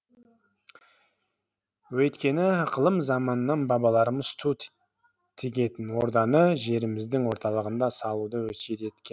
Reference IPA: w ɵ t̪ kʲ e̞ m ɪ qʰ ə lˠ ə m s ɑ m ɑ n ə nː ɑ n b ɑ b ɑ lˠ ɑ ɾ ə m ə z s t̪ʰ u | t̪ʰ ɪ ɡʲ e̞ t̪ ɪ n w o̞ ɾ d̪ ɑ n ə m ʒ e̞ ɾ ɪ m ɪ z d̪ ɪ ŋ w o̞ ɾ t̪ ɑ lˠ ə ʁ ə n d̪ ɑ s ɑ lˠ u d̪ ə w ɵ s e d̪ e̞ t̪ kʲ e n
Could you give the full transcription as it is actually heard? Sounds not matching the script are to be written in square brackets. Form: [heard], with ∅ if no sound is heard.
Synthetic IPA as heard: w ɵ t̪ kʲ e̞ [n] ɪ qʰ ə lˠ ə m [z] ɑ m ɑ n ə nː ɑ n b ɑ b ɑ lˠ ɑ ɾ ə m ə z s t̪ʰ u | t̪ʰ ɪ ɡʲ e̞ t̪ ɪ n w o̞ ɾ d̪ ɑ n ə [∅] ʒ e̞ ɾ ɪ m ɪ z d̪ ɪ ŋ w o̞ ɾ t̪ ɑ lˠ ə ʁ ə n d̪ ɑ s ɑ lˠ u d̪ ə w ɵ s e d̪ e̞ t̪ kʲ e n